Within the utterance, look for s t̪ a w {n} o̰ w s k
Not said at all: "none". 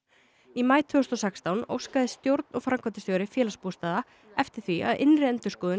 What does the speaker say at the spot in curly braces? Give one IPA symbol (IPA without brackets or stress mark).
n